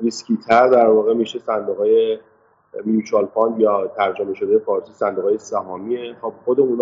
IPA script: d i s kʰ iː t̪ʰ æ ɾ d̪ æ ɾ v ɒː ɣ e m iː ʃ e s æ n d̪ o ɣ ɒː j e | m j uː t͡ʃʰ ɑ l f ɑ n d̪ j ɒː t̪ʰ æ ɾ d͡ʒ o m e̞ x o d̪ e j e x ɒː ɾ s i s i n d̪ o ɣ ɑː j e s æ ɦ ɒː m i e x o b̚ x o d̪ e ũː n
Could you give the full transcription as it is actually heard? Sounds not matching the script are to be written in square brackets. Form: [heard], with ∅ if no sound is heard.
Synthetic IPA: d i s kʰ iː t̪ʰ æ ɾ d̪ æ ɾ v ɒː ɣ e m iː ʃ e s æ n d̪ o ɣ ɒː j e | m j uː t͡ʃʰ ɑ l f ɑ n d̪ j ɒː t̪ʰ æ ɾ d͡ʒ o m e̞ [ʃ] o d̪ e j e [f] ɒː ɾ s i s [æ] n d̪ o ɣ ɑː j e s æ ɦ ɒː m i e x o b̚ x o d̪ e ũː n